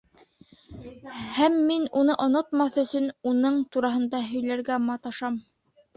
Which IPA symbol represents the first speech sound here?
h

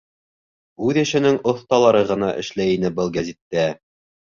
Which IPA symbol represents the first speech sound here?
ʉ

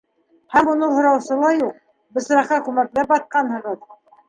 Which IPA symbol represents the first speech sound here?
h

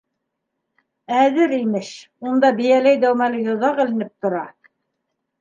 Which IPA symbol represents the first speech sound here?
æ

